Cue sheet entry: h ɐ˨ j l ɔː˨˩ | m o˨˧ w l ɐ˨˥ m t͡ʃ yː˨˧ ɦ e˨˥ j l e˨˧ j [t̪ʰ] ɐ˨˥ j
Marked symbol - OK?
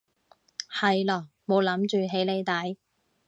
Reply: no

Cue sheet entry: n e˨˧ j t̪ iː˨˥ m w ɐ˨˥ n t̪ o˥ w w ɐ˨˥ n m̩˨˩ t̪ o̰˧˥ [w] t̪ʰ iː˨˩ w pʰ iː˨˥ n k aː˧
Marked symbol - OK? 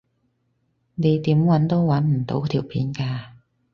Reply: yes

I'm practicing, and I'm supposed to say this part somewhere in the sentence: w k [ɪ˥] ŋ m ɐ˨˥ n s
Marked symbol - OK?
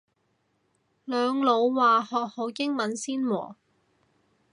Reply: yes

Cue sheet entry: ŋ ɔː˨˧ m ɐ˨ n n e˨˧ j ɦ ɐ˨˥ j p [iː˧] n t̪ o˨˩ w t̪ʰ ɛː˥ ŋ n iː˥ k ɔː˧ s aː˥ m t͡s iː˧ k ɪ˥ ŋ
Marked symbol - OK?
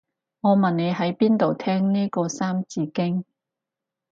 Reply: no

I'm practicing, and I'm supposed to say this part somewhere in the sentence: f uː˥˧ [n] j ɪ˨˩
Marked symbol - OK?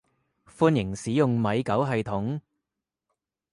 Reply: yes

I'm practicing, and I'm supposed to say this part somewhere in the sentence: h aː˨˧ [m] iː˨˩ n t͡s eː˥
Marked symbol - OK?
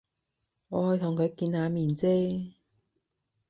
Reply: yes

